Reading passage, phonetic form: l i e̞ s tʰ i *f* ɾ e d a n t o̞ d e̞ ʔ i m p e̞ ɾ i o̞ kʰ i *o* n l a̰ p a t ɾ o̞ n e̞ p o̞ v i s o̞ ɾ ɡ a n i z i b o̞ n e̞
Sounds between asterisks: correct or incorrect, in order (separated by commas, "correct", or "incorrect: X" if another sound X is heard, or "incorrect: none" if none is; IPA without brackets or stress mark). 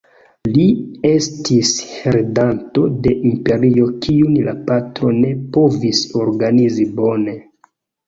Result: incorrect: s, incorrect: u